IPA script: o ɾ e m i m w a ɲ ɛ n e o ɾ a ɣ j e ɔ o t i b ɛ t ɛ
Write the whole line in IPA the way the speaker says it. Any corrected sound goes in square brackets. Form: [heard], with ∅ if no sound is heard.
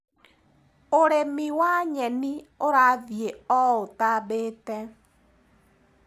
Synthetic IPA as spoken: o ɾ e m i [∅] w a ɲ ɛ n [i] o ɾ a [ð] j e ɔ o t [a] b [e] t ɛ